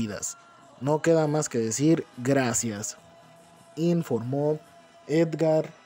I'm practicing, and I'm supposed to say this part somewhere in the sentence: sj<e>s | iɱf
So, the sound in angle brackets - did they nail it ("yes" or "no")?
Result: no